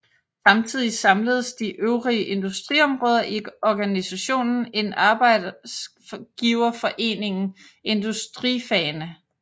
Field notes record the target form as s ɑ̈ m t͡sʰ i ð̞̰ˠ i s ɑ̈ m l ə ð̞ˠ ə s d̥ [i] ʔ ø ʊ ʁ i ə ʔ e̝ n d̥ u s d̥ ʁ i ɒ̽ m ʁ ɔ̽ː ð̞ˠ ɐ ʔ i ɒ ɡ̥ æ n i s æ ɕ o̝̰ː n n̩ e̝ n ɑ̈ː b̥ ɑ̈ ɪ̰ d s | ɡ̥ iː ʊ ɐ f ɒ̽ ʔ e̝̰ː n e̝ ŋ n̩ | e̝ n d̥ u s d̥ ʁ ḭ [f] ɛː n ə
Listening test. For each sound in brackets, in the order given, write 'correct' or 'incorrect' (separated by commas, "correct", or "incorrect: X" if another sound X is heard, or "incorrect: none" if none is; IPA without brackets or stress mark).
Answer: correct, correct